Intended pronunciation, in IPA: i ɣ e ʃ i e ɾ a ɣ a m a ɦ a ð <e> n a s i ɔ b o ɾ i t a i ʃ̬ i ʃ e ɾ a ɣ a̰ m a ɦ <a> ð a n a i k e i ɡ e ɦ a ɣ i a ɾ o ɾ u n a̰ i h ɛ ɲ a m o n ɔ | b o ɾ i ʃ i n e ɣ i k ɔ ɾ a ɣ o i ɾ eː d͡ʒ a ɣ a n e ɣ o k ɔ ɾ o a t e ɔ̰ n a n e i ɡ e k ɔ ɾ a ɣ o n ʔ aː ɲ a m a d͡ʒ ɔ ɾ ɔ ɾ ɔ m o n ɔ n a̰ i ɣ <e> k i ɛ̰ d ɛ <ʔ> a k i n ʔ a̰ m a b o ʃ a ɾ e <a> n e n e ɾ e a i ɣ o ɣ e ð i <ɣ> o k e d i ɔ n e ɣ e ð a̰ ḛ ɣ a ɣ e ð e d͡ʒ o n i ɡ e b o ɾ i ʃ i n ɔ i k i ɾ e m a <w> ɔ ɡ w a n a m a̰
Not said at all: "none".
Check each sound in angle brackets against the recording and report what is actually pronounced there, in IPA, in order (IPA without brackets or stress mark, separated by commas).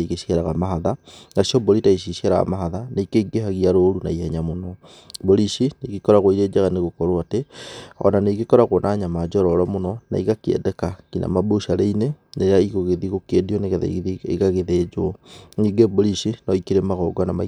a, a, a, k, i, ɣ, ɣ